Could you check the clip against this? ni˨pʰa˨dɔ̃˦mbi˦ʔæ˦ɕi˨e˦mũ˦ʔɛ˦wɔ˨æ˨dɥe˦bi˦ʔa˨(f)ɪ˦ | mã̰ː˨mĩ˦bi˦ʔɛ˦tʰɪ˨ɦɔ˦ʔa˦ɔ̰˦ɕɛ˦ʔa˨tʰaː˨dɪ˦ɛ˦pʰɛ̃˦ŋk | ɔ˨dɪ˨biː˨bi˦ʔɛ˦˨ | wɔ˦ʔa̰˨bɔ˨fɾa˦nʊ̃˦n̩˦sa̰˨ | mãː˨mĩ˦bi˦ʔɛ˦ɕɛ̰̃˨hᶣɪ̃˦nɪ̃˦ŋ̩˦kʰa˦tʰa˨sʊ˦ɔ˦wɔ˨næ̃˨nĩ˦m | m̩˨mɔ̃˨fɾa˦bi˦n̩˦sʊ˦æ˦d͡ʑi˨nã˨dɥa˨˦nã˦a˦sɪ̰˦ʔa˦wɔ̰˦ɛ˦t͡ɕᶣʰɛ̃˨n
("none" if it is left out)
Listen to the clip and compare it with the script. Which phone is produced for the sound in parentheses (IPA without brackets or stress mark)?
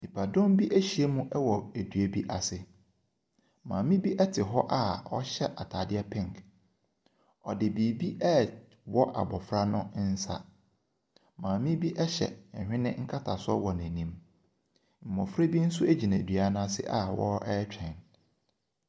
s